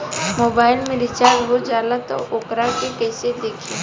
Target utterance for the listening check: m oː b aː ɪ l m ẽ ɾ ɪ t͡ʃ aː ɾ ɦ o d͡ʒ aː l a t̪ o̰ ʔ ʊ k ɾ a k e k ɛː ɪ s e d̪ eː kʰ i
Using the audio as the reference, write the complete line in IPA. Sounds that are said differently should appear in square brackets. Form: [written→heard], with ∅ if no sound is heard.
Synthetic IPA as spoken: m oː b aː ɪ l m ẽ ɾ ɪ t͡ʃ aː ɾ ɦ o d͡ʒ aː l a t̪ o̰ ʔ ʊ k ɾ a k e k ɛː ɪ s e d̪ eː kʰ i